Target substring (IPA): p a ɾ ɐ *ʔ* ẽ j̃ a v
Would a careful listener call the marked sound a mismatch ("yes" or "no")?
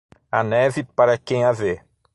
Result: yes